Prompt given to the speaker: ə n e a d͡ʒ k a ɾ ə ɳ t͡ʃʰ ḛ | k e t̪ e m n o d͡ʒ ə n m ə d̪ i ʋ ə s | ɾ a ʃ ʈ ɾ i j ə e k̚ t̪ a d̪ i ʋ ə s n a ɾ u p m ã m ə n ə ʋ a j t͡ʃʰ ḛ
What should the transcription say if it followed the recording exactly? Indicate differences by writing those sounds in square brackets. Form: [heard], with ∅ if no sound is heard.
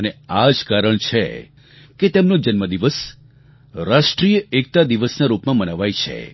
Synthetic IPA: ə n e a d͡ʒ k a ɾ ə ɳ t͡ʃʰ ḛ | k e t̪ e m n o d͡ʒ ə n m ə d̪ i ʋ ə s | ɾ a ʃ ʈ ɾ i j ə e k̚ t̪ a d̪ i ʋ ə s n a ɾ u p m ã m ə n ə ʋ a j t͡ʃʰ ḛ